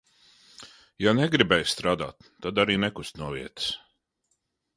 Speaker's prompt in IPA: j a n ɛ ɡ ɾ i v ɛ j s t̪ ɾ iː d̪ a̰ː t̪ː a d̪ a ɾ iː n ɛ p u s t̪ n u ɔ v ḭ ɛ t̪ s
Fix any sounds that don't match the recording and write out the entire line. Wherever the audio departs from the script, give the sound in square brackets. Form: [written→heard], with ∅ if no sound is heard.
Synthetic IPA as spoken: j a n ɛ ɡ ɾ i [v→b] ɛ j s t̪ ɾ [iː→aː] d̪ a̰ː t̪ː a d̪ a ɾ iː n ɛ [p→k] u s t̪ n u ɔ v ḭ ɛ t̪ s